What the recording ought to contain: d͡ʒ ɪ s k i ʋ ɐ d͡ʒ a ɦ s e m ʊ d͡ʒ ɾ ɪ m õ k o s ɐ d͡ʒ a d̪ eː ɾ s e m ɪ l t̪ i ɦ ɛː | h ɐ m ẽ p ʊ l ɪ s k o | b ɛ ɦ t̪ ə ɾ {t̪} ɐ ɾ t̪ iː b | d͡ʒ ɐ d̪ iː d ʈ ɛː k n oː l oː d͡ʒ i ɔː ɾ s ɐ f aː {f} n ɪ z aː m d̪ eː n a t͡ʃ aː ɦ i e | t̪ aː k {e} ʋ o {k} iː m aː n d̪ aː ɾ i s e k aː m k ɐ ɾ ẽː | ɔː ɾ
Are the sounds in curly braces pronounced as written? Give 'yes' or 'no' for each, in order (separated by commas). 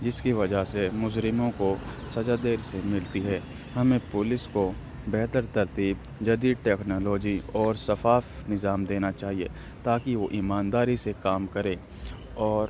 yes, yes, no, no